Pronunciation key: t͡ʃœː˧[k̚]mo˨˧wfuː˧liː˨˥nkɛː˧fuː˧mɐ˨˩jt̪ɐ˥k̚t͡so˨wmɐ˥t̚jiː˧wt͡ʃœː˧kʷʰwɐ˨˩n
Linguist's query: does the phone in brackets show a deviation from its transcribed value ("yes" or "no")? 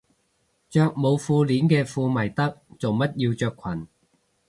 no